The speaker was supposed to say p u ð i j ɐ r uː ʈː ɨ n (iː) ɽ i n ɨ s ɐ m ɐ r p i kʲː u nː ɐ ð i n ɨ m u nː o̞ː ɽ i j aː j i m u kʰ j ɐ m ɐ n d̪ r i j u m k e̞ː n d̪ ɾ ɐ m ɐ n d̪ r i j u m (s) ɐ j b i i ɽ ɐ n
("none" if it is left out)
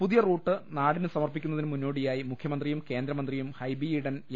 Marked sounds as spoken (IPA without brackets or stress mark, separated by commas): aː, h